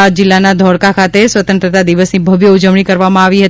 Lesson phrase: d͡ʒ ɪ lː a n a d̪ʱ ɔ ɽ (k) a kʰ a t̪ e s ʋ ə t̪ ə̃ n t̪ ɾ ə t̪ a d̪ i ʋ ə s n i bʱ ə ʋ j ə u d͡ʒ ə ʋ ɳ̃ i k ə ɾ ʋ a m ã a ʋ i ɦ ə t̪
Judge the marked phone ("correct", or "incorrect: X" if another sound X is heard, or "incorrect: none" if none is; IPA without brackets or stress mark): correct